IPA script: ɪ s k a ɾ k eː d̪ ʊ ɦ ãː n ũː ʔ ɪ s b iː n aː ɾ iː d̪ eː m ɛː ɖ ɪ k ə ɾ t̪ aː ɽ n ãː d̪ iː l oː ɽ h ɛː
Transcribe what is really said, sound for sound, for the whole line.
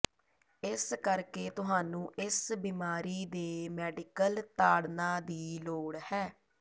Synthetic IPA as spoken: ɪ s k ə ɾ k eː t̪ ʊ ɦ aː n ũː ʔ ɪ s b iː m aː ɾ iː d̪ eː m ɛː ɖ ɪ k ə l t̪ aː ɽ n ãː d̪ iː l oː ɽ h ɛː

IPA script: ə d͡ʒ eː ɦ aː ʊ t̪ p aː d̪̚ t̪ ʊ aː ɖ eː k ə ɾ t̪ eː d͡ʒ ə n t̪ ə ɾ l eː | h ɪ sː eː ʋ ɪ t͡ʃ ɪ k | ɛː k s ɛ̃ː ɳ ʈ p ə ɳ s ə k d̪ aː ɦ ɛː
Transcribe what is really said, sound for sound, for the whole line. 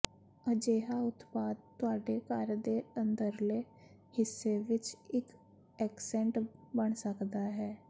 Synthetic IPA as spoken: ə d͡ʒ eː ɦ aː ʊ t̪ p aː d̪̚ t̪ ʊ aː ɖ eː k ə ɾ d̪ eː ə n d̪ ə ɾ l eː | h ɪ sː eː ʋ ɪ t͡ʃ ɪ k | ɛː k s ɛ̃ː ɳ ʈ b ə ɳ s ə k d̪ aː ɦ ɛː

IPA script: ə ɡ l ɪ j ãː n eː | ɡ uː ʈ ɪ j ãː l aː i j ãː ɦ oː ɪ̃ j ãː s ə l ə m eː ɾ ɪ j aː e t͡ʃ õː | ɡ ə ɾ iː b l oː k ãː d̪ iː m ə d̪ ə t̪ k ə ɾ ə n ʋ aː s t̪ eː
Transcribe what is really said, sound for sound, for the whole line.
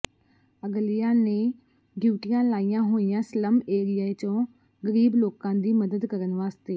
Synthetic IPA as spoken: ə ɡ l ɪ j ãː n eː | ɡ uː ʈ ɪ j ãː l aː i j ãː ɦ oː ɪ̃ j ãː s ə l ə m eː ɾ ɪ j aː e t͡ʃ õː | ɡ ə ɾ iː b l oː k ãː d̪ iː m ə d̪ ə d̪ k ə ɾ ə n ʋ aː s t̪ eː

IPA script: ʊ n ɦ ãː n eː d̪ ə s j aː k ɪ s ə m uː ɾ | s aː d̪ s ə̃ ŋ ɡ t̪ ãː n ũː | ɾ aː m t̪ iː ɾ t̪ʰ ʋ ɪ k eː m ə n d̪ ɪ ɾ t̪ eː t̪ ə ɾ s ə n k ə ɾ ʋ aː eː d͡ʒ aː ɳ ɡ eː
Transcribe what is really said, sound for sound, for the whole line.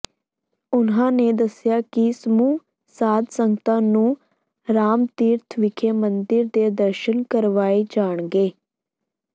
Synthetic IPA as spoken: ʊ n ɦ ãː n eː d̪ ə s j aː k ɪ s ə m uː | s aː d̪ s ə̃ ŋ ɡ t̪ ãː n ũː | ɾ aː m t̪ iː ɾ t̪ʰ ʋ ɪ kʰ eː m ə n d̪ ɪ ɾ d̪ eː d̪ ə ɾ ʃ ə n k ə ɾ ʋ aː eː d͡ʒ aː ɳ ɡ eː

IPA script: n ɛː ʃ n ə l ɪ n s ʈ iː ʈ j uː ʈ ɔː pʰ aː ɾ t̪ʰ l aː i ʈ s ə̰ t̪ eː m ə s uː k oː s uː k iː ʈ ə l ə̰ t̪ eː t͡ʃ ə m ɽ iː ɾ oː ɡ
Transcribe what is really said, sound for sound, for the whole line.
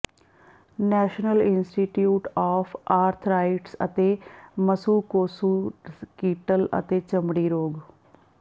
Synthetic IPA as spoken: n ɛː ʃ n ə l ɪ n s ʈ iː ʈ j uː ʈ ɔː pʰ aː ɾ t̪ʰ ɾ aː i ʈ s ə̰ t̪ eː m ə s uː k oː s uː k iː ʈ ə l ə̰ t̪ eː t͡ʃ ə m ɽ iː ɾ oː ɡ

